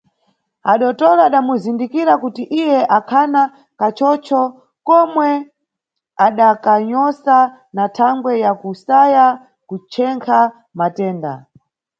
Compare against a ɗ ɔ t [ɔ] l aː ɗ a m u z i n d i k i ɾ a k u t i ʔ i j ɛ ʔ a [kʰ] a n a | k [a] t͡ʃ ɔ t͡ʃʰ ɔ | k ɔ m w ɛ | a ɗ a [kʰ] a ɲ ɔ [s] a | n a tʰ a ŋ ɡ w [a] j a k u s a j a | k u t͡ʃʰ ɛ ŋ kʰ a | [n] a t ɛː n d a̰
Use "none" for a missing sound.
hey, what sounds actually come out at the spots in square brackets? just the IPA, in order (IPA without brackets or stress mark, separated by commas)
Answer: ɔ, kʰ, a, k, s, ɛ, m